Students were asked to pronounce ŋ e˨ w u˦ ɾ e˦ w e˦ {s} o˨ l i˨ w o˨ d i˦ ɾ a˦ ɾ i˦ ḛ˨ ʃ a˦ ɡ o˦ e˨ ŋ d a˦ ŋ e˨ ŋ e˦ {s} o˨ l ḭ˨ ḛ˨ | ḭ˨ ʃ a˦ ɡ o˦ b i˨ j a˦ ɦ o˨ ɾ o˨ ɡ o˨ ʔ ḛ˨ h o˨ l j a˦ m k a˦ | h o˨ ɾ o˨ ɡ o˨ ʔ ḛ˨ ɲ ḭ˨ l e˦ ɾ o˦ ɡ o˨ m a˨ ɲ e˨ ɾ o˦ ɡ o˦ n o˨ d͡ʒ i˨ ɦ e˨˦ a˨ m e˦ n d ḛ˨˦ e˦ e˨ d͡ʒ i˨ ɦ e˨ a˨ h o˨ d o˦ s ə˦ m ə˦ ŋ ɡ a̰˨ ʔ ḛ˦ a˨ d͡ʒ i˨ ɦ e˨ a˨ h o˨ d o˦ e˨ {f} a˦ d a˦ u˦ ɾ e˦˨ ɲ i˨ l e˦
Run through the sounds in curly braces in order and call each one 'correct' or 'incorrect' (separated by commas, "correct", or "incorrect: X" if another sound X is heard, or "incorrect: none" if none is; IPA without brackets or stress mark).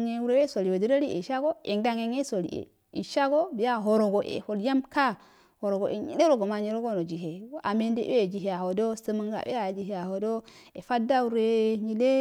correct, correct, correct